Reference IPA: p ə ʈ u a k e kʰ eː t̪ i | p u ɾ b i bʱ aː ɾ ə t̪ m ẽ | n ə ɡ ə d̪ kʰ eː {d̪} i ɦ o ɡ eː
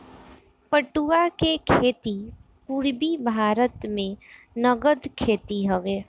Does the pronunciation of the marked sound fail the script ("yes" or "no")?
yes